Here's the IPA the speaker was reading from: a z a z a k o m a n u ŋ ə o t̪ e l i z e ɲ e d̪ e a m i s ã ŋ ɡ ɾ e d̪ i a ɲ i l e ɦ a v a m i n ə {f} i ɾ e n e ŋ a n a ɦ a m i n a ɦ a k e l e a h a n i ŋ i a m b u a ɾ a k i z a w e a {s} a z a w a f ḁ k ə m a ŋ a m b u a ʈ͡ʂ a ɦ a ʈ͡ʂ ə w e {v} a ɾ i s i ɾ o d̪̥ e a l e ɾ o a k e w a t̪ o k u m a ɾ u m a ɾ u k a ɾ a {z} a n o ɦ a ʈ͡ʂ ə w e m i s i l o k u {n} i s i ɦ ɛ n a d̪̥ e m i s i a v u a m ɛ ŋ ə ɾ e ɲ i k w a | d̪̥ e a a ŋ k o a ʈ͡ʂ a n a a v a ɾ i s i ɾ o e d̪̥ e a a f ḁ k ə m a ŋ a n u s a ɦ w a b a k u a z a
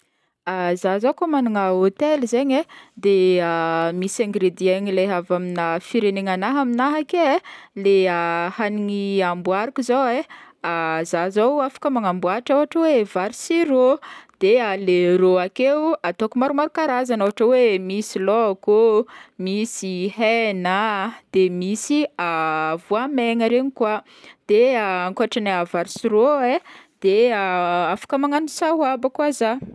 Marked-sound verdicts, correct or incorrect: correct, incorrect: z, correct, correct, incorrect: m

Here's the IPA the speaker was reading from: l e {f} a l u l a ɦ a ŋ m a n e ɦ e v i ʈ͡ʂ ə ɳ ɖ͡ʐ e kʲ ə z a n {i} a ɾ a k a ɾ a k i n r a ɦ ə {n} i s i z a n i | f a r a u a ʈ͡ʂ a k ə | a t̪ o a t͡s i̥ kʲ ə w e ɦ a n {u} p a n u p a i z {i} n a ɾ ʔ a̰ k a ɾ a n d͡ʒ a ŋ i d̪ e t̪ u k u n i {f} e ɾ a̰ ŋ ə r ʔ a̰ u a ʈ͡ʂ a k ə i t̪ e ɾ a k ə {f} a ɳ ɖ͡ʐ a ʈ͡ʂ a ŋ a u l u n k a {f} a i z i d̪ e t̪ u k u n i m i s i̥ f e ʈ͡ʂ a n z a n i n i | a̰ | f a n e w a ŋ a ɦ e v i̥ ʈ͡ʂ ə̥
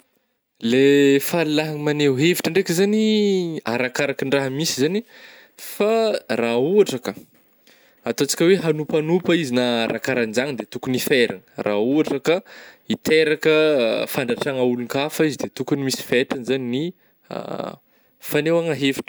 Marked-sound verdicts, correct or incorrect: correct, correct, incorrect: m, correct, correct, correct, correct, correct

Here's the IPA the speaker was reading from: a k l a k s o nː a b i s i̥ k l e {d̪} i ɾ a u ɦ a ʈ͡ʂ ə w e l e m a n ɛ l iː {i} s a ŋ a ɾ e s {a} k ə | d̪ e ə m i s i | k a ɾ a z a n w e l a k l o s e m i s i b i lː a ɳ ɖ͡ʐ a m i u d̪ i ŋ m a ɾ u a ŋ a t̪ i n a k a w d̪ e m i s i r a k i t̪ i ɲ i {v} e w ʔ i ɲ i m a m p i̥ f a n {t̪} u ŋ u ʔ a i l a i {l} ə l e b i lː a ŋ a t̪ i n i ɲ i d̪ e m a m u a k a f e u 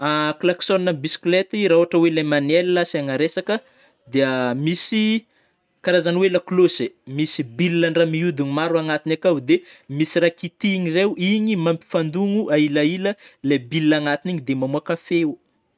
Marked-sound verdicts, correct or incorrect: incorrect: t̪, incorrect: a, correct, incorrect: z, incorrect: d̪, correct

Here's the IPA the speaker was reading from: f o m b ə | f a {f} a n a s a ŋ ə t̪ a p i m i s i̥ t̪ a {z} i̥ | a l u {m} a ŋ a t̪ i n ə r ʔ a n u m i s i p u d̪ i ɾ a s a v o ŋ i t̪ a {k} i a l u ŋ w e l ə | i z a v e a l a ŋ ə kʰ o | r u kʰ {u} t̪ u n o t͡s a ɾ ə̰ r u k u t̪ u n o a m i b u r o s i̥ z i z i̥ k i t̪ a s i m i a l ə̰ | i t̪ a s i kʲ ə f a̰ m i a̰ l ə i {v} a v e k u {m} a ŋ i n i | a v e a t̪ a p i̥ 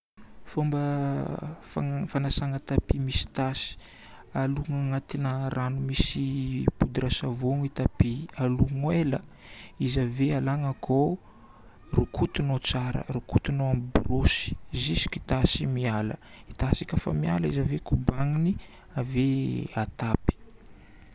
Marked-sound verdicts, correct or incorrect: correct, incorrect: s, incorrect: ŋ, incorrect: p, correct, incorrect: z, incorrect: b

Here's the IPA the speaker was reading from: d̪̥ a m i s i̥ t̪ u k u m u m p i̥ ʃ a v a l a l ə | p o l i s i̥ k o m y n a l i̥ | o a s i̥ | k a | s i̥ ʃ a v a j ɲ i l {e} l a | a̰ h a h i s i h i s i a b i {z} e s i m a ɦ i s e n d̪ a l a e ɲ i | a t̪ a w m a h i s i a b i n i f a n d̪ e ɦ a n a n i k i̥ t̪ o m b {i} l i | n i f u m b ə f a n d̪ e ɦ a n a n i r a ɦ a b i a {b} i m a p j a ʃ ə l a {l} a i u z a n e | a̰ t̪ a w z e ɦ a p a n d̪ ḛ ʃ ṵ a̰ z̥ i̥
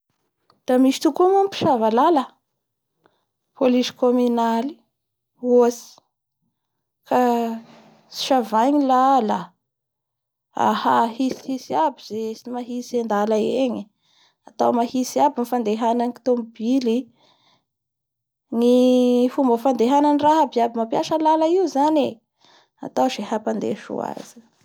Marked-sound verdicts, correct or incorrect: incorrect: a, correct, correct, correct, correct

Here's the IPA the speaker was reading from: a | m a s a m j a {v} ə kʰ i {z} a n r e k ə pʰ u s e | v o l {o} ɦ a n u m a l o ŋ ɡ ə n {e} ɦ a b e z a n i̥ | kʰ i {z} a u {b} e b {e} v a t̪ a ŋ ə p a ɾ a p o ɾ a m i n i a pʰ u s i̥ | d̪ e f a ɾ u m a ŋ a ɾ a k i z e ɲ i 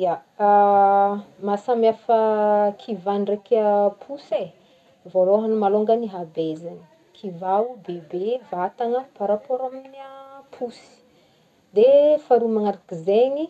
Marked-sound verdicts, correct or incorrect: incorrect: f, incorrect: v, correct, incorrect: i, incorrect: v, correct, correct

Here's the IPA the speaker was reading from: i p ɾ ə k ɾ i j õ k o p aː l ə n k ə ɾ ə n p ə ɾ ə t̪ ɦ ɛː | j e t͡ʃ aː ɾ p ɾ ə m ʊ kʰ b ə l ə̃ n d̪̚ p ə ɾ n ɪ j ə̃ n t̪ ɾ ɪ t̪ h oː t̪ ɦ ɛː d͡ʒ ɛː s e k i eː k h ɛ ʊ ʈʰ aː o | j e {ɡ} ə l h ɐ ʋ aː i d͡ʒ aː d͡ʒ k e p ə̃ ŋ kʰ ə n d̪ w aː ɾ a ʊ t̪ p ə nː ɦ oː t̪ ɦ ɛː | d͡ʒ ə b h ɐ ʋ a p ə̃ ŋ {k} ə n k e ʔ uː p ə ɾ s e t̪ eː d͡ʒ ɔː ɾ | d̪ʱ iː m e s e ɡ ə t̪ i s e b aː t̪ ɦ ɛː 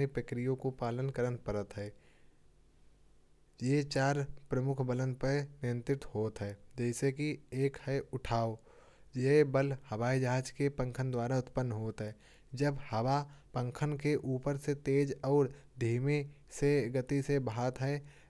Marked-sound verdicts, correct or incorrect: incorrect: b, incorrect: kʰ

